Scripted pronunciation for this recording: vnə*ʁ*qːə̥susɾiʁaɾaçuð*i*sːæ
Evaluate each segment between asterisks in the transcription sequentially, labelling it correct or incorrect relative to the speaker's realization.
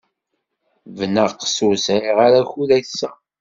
correct, incorrect

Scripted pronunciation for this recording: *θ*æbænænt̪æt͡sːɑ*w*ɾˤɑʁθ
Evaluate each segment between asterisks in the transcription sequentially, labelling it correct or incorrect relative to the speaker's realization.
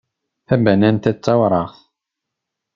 correct, correct

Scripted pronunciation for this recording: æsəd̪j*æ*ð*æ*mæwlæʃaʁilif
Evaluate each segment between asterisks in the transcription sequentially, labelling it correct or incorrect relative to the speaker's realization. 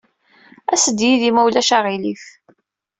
incorrect, incorrect

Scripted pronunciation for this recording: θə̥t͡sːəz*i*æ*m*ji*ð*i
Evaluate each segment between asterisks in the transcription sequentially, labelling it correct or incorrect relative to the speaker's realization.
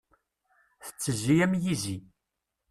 correct, correct, incorrect

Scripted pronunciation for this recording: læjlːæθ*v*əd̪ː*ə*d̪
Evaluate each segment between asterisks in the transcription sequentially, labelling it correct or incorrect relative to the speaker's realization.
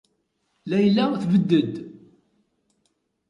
correct, correct

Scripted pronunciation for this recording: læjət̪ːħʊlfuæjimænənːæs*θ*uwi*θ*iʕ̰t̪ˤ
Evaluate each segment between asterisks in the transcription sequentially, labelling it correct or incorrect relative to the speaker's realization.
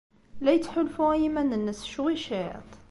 incorrect, incorrect

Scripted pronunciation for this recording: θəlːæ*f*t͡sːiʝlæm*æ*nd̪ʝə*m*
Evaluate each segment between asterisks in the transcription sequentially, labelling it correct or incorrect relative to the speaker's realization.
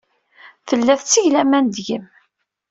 incorrect, correct, correct

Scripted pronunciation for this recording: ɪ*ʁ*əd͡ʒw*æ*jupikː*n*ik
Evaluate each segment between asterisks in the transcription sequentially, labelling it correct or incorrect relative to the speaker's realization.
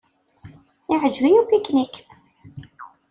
incorrect, incorrect, correct

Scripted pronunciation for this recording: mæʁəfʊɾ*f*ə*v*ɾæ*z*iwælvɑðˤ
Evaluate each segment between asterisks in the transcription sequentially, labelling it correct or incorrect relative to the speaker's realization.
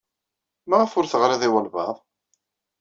incorrect, incorrect, incorrect

